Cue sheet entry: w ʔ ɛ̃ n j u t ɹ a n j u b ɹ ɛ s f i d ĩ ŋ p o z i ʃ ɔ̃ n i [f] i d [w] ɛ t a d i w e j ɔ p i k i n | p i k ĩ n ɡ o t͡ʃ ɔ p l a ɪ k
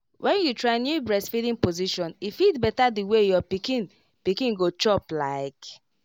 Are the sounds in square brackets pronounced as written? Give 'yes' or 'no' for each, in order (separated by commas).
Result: yes, no